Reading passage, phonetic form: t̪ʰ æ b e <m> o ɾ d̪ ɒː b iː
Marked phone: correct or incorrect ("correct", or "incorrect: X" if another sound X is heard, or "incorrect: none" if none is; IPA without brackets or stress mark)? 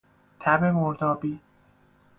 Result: correct